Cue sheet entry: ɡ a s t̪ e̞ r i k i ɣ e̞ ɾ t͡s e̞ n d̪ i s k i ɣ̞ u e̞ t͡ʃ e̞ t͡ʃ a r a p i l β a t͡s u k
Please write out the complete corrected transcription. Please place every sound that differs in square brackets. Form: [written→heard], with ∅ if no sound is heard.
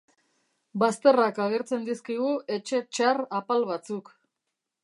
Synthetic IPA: [ɡ→b] a s t̪ e̞ r [i→a] k [i→a] ɣ e̞ ɾ t͡s e̞ n d̪ i s k i ɣ̞ u e̞ t͡ʃ e̞ t͡ʃ a r a p [i→a] l β a t͡s u k